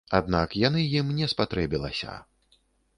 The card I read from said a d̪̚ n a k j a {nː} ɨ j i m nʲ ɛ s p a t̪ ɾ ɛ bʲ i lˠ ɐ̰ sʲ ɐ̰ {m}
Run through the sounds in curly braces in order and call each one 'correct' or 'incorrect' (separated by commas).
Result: incorrect, incorrect